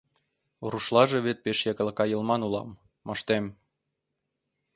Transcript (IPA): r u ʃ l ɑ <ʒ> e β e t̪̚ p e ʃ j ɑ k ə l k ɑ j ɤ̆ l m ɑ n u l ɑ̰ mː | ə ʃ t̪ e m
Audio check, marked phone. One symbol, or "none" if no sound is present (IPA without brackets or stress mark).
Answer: ʒ